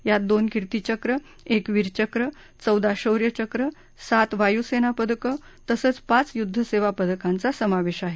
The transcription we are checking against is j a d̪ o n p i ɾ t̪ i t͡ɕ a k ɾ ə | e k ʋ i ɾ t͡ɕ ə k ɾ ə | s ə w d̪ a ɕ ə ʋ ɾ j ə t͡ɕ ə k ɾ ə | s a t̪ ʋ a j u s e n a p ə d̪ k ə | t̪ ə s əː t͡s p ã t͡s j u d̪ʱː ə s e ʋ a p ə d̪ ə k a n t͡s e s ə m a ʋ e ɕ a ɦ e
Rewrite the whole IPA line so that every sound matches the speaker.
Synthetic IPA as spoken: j a d̪ o n k i ɾ t̪ i t͡ɕ ə k ɾ ə | e k ʋ i ɾ t͡ɕ ə k ɾ ə | t͡s ə w d̪ a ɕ ə w ɾ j ə t͡ɕ ə k ɾ ə | s a t̪ ʋ a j u s e n a p ə d̪ k ə | t̪ ə s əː t͡s p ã t͡s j u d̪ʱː ə s e ʋ a p ə d̪ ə k a n t͡s a s ə m a ʋ e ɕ a ɦ e